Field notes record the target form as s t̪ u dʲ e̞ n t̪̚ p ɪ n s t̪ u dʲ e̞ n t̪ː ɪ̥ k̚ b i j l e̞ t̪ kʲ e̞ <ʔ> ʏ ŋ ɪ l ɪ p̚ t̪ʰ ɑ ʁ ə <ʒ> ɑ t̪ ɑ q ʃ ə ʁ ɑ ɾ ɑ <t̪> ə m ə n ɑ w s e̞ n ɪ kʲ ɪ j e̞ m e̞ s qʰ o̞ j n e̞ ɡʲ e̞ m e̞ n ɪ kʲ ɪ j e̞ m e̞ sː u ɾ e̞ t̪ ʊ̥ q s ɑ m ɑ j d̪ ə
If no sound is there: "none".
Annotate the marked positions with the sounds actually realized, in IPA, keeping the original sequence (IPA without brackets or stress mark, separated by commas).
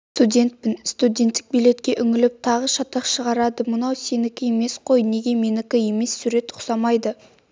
ʔ, ʃ, d̪